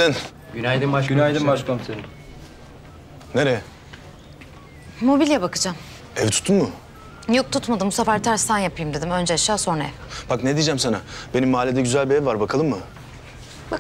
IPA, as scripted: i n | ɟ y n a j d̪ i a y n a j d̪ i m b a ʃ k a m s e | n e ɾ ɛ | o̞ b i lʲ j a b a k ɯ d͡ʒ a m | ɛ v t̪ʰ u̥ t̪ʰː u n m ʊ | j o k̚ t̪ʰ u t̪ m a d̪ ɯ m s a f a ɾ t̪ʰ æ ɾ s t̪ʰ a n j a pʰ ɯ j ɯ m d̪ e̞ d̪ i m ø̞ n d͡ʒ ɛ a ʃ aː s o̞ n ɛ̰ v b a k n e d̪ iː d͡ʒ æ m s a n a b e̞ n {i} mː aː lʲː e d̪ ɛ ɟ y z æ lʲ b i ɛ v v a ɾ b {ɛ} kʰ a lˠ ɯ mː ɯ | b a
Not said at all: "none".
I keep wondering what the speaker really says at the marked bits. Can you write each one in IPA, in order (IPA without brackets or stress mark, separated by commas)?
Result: i, a